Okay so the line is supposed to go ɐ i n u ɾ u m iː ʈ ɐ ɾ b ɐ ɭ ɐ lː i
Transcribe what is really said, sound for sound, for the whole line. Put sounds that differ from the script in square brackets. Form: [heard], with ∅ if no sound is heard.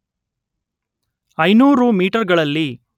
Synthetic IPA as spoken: ɐ [j] n [uː] ɾ u m iː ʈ ɐ ɾ [ɡ] ɐ ɭ ɐ lː i